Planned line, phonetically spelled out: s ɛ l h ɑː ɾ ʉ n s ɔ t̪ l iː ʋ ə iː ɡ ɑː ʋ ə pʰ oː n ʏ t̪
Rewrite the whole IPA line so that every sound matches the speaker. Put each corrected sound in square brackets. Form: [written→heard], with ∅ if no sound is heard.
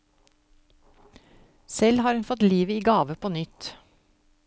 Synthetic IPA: s ɛ l h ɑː ɾ ʉ n [s→f] ɔ t̪ l iː ʋ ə iː ɡ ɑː ʋ ə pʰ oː n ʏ t̪